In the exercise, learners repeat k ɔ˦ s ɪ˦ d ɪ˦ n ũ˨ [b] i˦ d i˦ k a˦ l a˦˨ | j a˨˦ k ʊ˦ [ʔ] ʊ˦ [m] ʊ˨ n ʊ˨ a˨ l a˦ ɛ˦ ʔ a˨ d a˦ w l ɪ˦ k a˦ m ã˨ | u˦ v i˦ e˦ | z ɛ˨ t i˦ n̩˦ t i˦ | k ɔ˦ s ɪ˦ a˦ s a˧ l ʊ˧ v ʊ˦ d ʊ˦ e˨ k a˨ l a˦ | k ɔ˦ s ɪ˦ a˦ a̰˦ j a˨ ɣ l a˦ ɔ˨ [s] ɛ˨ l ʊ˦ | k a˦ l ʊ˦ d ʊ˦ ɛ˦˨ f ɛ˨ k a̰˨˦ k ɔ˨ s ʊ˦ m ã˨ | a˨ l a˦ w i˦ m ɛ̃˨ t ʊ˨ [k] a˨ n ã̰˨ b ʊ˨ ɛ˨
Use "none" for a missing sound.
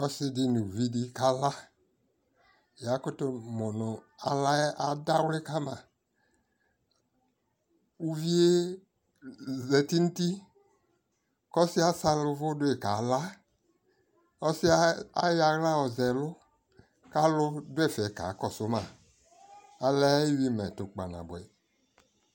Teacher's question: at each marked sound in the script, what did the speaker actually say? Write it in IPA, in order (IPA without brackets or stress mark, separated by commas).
v, t, m, z, k͡p